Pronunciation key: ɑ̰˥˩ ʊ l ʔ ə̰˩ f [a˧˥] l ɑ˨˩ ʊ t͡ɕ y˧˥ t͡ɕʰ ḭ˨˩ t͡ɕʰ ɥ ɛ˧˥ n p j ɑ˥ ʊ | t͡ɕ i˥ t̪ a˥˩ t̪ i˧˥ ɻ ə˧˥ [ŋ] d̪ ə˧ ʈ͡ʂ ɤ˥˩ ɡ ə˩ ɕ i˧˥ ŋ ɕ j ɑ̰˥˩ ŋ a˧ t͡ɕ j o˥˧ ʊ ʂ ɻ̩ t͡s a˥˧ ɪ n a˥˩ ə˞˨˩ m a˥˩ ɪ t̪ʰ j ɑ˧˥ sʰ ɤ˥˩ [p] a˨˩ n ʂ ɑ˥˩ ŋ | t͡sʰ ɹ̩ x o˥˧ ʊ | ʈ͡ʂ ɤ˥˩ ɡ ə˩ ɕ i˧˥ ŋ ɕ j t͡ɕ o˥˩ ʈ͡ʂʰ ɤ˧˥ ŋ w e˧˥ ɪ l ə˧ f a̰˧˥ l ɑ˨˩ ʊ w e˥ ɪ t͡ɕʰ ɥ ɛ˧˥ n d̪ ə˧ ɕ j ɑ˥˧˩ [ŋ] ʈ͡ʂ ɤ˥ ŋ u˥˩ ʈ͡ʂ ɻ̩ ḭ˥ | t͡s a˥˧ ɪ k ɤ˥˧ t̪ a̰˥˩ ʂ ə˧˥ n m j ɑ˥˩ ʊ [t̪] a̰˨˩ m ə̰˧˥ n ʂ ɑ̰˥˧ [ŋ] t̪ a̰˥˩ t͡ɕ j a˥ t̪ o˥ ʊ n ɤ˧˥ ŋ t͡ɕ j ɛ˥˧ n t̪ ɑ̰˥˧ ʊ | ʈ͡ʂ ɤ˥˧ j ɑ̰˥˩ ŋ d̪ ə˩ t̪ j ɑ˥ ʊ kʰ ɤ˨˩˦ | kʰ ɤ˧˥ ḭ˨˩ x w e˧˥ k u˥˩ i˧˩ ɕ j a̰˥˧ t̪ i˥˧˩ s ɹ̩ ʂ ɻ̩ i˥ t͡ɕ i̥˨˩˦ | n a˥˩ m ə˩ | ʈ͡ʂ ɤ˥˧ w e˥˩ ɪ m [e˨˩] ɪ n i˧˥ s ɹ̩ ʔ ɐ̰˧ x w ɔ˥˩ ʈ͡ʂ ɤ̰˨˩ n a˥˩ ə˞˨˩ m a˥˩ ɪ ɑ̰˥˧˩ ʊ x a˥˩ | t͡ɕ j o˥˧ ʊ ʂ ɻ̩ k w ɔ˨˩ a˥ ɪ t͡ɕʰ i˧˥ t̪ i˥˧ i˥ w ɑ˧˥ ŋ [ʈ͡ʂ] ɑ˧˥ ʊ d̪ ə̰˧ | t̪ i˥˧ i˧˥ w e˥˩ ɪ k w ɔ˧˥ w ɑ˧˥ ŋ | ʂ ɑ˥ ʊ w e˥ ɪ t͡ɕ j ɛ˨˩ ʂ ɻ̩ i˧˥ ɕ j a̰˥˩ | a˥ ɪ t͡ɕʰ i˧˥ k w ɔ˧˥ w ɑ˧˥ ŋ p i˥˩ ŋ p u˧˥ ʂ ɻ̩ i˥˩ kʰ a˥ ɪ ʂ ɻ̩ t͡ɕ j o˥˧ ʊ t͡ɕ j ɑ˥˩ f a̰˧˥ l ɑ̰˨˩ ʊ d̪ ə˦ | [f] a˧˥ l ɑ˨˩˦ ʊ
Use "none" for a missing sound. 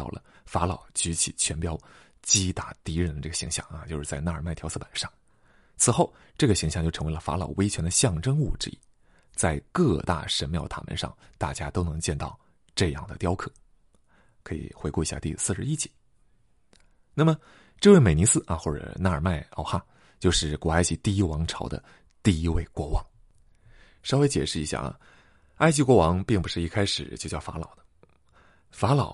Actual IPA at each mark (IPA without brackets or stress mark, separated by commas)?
a˧˥, n, p, ŋ, t̪ʰ, ŋ, e˨˩, ʈ͡ʂʰ, f